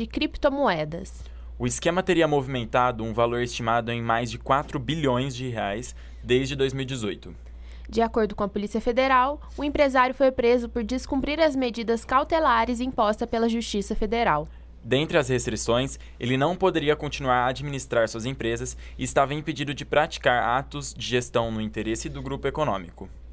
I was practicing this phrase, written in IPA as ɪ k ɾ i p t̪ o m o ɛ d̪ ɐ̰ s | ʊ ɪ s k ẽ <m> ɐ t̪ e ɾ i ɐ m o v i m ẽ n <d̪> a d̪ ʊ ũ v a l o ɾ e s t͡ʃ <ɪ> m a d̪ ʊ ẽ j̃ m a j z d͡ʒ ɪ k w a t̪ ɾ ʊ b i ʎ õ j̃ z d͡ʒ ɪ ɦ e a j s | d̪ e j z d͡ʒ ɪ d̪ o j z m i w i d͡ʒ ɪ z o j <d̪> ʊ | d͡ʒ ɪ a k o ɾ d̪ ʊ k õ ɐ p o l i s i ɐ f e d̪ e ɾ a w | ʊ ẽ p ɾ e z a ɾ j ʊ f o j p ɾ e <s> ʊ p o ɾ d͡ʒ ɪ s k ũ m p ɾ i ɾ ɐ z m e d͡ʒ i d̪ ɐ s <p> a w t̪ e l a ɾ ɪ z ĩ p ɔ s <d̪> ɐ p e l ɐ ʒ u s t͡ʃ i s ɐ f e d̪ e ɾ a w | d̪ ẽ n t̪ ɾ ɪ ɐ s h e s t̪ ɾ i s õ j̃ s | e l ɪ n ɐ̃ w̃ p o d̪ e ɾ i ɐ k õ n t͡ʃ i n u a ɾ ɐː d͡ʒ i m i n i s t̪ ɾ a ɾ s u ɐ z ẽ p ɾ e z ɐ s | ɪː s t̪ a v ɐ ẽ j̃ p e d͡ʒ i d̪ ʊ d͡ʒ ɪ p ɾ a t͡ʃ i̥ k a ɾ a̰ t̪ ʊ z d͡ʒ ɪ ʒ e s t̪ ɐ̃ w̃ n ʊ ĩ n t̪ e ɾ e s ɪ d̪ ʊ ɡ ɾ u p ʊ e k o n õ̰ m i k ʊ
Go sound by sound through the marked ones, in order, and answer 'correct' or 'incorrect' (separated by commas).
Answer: correct, incorrect, incorrect, incorrect, incorrect, incorrect, incorrect